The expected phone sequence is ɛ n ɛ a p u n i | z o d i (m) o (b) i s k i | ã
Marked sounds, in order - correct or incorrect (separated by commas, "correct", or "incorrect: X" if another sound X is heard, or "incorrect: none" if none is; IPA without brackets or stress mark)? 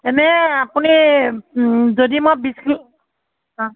correct, correct